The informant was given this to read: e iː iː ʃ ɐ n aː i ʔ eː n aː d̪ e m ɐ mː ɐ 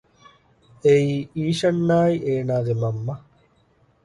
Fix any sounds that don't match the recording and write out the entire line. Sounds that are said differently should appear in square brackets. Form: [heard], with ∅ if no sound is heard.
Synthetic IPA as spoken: e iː iː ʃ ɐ [nː] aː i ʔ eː n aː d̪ e m ɐ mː ɐ